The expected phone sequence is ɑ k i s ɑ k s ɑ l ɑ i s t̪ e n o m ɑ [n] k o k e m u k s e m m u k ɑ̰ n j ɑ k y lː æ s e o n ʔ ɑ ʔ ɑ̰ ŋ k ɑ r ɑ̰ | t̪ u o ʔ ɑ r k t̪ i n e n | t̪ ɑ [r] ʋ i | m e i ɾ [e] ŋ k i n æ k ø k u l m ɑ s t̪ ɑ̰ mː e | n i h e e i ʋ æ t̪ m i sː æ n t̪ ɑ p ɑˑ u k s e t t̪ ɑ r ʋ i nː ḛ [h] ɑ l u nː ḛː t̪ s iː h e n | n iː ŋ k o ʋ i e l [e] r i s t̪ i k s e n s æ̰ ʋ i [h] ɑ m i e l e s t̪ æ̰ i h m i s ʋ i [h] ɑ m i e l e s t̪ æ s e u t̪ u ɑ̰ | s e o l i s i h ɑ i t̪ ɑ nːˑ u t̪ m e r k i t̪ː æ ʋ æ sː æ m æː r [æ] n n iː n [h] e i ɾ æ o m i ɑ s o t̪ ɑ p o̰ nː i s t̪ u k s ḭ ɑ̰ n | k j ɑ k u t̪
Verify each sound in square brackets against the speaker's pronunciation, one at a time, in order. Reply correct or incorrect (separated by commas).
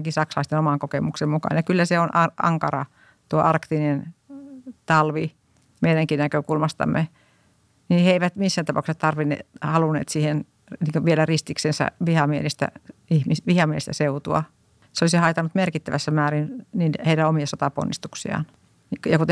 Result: incorrect, incorrect, incorrect, correct, incorrect, correct, correct, incorrect, correct